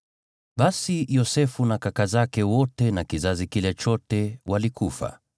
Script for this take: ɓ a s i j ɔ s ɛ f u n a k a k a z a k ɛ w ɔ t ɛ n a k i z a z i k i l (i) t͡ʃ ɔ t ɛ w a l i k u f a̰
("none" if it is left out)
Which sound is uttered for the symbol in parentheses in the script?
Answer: ɛ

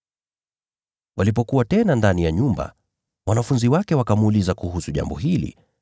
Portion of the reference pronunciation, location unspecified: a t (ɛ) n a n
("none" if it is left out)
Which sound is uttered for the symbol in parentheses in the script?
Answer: ɛ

